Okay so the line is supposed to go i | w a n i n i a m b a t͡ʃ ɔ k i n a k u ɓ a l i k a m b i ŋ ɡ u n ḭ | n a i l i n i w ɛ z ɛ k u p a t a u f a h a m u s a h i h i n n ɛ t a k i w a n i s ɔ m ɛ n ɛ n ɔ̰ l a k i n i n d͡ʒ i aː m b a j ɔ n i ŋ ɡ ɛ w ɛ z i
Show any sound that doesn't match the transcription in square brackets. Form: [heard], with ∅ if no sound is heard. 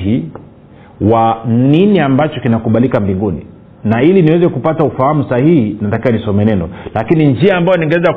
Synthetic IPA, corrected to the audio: i | w a n i n i a m b a t͡ʃ ɔ k i n a k u ɓ a l i k a m b i ŋ ɡ u n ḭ | n a i l i n i w ɛ z ɛ k u p a t a u f a h a m u s a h i h i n n [a] t a k i w a n i s ɔ m ɛ n ɛ n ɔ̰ l a k i n i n d͡ʒ i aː m b a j ɔ n i ŋ ɡ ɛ w ɛ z [a]